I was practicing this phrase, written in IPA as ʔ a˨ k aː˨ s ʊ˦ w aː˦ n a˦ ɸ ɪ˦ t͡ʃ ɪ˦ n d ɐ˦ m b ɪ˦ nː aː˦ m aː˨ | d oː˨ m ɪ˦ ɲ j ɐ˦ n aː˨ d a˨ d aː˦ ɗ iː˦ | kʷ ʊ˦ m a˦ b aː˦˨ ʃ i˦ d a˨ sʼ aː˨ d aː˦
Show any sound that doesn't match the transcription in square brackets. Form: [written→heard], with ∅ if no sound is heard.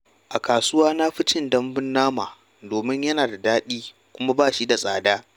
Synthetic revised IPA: ʔ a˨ k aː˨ s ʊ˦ w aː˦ n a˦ ɸ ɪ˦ t͡ʃ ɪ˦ n d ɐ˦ m b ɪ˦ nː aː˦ m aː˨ | d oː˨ m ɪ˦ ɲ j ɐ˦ n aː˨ d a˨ d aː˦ ɗ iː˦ | kʷ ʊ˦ m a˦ b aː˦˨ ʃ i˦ d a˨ sʼ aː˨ d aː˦